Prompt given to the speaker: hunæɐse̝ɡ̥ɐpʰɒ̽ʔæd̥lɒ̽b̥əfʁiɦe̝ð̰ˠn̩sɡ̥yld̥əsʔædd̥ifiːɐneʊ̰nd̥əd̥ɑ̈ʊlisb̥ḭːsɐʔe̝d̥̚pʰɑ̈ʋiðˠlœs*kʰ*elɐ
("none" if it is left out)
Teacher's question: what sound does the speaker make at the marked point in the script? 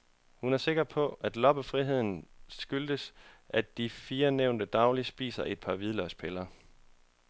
pʰ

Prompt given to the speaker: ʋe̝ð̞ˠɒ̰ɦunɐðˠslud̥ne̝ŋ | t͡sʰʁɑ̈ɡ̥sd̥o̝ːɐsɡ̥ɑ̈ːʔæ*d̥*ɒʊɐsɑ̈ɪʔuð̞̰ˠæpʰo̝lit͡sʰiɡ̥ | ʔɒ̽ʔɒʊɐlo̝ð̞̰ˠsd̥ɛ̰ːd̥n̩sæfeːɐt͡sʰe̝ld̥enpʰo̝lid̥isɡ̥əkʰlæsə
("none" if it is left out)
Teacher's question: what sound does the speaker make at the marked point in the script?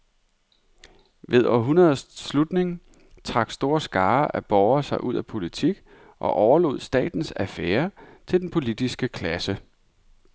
b̥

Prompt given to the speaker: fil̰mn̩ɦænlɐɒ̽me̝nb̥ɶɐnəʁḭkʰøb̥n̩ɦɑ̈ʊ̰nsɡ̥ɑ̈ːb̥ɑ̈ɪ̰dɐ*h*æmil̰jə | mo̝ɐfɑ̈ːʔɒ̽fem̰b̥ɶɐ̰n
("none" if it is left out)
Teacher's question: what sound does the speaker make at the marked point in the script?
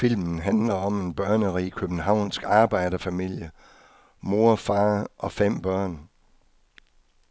f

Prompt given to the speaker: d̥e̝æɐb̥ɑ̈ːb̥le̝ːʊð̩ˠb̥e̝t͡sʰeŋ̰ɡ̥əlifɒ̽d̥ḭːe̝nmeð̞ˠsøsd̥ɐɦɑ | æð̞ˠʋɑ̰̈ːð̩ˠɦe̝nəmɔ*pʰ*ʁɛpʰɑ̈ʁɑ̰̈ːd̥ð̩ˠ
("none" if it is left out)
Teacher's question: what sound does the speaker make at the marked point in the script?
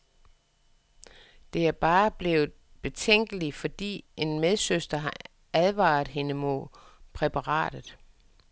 pʰ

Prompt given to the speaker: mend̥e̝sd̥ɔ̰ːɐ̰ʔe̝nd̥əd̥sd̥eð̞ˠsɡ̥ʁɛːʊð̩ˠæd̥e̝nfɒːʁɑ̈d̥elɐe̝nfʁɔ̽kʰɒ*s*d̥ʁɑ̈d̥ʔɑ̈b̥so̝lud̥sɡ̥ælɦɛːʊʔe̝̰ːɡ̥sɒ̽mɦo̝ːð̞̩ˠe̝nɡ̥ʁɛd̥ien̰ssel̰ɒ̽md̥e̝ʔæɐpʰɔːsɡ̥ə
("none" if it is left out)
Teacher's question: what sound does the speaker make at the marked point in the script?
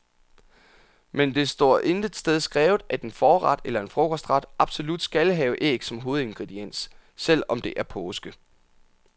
s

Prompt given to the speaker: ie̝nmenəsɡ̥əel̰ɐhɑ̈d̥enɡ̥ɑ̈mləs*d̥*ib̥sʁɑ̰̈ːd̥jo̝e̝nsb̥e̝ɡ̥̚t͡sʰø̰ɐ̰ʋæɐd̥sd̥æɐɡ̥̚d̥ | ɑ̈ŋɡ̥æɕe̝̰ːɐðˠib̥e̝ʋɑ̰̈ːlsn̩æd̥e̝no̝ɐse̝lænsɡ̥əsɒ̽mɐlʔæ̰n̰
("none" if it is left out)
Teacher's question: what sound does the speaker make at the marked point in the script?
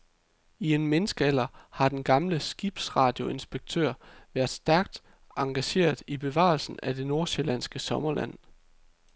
ɡ̥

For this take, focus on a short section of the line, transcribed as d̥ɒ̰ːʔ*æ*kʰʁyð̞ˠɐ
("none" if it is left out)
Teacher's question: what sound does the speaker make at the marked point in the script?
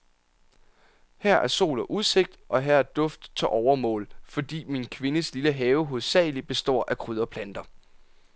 æ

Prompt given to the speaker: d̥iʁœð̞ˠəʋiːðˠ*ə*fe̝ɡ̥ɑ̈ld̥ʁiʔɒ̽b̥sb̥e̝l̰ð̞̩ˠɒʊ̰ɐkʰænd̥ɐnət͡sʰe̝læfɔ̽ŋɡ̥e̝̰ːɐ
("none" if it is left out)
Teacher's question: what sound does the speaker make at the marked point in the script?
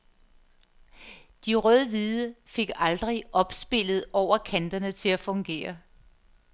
ə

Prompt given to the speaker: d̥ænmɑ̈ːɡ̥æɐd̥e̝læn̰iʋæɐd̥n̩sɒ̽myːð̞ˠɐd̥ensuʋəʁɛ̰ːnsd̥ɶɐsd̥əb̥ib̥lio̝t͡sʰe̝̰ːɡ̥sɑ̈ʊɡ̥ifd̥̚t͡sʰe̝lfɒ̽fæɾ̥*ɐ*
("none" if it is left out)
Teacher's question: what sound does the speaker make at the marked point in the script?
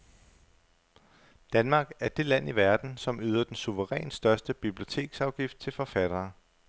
ɐː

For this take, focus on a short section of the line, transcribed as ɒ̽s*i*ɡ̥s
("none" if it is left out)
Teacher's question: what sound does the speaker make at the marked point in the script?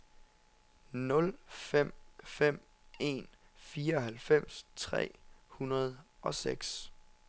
e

